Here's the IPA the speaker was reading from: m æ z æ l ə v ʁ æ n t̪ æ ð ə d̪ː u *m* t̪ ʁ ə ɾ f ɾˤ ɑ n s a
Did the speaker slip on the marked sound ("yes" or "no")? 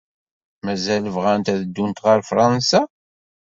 yes